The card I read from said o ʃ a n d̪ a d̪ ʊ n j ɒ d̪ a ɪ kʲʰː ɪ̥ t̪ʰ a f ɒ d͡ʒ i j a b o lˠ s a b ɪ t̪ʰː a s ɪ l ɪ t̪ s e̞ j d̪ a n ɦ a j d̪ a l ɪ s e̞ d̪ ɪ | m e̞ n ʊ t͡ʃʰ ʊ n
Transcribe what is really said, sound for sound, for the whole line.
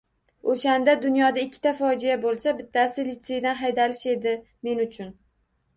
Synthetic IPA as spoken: o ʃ a n d̪ a d̪ ʊ n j ɒ d̪ a ɪ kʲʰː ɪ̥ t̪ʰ a f ɒ d͡ʒ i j a b o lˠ s a b ɪ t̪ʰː a s ɪ l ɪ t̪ s e̞ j d̪ a n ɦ a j d̪ a l ɪ ʃ e̞ d̪ ɪ | m e̞ n ʊ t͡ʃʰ ʊ n

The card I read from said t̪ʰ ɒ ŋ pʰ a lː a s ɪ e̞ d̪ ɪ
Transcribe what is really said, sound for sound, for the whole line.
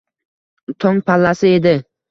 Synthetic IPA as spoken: t̪ʰ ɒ ŋ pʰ a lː a s ɪ e̞ d̪ ɪ

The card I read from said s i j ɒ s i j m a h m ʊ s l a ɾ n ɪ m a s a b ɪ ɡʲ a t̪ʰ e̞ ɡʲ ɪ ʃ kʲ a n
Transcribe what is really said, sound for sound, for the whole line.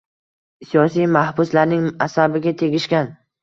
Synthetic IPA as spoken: s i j ɒ s i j m a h b ʊ s l a ɾ n ɪ ŋ a s a b ɪ ɡʲ a t̪ʰ e̞ ɡʲ ɪ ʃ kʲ a n

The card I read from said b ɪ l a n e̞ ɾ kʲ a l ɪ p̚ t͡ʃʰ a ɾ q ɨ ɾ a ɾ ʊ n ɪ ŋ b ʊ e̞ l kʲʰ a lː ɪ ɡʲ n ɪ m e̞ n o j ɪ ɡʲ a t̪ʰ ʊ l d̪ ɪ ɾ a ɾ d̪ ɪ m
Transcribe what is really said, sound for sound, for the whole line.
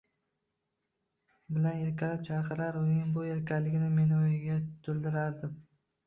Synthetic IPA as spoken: b ɪ l a n e̞ ɾ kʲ a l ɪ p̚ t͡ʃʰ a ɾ q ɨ ɾ a ɾ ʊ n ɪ ŋ b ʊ e̞ ɾ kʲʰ a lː ɪ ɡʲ n ɪ m e̞ n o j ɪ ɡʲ a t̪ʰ ʊ l d̪ ɪ ɾ a ɾ d̪ ɪ m

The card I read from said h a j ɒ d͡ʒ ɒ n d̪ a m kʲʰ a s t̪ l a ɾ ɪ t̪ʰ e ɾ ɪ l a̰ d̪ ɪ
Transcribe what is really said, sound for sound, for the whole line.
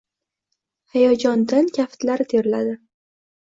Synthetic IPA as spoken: h a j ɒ d͡ʒ ɒ n d̪ a n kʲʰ a f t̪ l a ɾ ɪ t̪ʰ e ɾ ɪ l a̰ d̪ ɪ

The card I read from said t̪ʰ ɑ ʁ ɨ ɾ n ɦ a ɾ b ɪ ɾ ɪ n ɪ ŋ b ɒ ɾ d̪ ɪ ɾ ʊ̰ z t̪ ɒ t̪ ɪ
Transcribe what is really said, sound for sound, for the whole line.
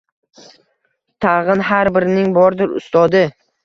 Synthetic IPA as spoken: t̪ʰ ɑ ʁ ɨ n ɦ a ɾ b ɪ ɾ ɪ n ɪ ŋ b ɒ ɾ d̪ ɪ ɾ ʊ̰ s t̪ ɒ d̪ ɪ

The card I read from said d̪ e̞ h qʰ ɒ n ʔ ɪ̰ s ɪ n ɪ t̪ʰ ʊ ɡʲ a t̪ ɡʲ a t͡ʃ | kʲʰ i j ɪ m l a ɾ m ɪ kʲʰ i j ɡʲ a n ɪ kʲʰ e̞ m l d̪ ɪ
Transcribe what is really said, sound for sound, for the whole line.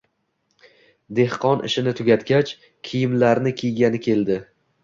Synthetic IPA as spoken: d̪ e̞ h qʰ ɒ n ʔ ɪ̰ ʃ ɪ n ɪ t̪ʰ ʊ ɡʲ a t̪ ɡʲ a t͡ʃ | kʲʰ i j ɪ m l a ɾ n ɪ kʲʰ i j ɡʲ a n ɪ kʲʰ e̞ l d̪ ɪ

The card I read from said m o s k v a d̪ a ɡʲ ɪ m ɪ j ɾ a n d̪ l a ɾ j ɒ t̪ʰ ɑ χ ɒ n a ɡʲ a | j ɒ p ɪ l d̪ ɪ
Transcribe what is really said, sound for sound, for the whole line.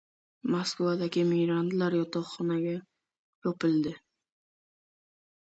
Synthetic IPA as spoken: m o s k v a d̪ a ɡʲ ɪ m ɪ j ɾ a n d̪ l a ɾ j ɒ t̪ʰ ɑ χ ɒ n a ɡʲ a | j ɒ p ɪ l d̪ ɪ

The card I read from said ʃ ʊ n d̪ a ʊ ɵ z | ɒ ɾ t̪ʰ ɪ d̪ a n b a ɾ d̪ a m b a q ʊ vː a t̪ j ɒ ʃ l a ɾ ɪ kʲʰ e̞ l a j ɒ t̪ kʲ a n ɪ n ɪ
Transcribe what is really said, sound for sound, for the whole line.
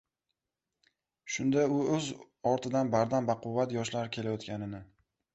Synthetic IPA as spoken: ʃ ʊ n d̪ a ʊ ɵ z | ɒ ɾ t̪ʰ ɪ d̪ a n b a ɾ d̪ a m b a q ʊ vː a t̪ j ɒ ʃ l a ɾ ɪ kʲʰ e̞ l a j ɒ t̪ kʲ a n ɪ n ɪ

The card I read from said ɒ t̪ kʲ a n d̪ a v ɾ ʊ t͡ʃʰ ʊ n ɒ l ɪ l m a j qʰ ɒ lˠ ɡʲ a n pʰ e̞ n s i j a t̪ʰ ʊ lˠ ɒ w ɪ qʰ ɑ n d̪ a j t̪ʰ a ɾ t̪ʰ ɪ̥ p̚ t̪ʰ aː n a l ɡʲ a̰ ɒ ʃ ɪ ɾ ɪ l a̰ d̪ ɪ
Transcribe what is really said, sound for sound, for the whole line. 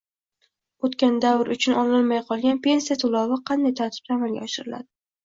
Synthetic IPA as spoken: o t̪ kʲ a n d̪ a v ɾ ʊ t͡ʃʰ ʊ n ɒ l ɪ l m a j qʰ ɒ lˠ ɡʲ a n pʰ e̞ n s i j a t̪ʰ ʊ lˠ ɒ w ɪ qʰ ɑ n d̪ a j t̪ʰ a ɾ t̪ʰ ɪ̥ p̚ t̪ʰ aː m a l ɡʲ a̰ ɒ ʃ ɪ ɾ ɪ l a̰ d̪ ɪ

